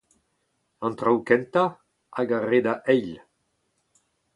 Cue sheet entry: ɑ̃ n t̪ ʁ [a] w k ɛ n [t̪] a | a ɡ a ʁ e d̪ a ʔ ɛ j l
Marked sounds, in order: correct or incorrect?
correct, correct

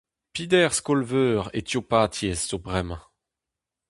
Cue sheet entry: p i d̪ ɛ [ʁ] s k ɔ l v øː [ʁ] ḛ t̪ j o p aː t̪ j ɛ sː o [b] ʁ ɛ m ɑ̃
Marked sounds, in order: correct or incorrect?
correct, correct, correct

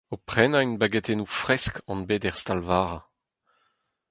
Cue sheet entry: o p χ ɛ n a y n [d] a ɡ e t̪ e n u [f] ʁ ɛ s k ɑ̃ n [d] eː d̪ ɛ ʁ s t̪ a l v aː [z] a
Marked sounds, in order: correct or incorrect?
incorrect: b, correct, incorrect: b, incorrect: ʁ

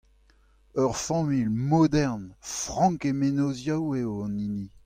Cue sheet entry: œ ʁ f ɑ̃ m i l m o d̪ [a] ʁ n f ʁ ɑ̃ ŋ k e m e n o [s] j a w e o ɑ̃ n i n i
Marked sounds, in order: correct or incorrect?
incorrect: ɛ, incorrect: z

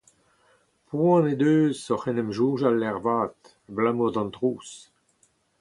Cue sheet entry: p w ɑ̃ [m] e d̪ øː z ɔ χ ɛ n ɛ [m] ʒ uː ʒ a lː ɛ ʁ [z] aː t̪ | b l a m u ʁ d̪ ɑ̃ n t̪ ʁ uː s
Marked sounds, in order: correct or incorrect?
incorrect: n, correct, incorrect: v

